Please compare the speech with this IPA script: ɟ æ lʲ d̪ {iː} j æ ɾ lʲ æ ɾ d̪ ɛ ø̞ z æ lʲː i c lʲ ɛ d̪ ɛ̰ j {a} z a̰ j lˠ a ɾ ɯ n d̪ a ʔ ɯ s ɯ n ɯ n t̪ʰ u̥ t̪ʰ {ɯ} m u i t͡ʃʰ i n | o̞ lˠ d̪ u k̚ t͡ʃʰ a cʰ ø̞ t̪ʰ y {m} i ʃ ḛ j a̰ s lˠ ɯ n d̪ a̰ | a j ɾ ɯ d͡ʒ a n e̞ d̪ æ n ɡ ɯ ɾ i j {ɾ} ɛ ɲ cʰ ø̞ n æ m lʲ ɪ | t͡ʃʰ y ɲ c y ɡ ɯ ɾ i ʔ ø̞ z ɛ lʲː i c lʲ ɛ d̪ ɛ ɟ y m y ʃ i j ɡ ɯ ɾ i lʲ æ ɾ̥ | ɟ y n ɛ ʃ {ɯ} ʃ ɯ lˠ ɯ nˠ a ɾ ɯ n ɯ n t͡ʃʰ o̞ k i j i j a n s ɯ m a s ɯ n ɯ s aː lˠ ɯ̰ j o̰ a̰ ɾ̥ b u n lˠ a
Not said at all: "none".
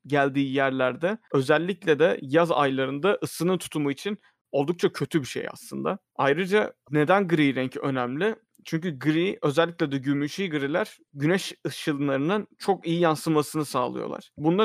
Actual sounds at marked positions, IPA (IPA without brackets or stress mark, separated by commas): iː, a, u, b, ɾ, ɯ